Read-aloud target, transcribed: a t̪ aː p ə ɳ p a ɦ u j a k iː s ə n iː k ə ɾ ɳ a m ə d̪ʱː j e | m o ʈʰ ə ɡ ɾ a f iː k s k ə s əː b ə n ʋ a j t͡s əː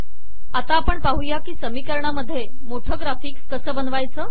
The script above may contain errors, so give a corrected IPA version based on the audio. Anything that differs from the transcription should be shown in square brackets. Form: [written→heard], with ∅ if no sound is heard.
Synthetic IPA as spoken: a t̪ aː p ə ɳ p a ɦ u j a k iː s ə [n→m] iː k ə ɾ ɳ a m ə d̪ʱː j e | m o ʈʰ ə ɡ ɾ a f iː k s k ə s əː b ə n ʋ a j t͡s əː